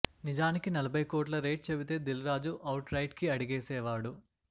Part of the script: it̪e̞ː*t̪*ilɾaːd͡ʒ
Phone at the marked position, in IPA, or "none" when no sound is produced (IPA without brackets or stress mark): d̪